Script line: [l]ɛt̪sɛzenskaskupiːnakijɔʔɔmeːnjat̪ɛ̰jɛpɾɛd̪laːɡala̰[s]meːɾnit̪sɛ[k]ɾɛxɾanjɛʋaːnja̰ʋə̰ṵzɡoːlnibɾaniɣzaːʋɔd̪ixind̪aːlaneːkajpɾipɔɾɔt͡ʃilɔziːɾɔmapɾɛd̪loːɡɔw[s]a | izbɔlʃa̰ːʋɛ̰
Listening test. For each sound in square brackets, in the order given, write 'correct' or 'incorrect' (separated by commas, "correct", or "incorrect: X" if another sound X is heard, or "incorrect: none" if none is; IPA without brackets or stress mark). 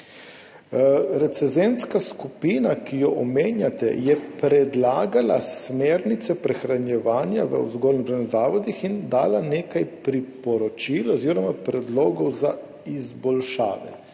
incorrect: ɾ, correct, incorrect: p, incorrect: z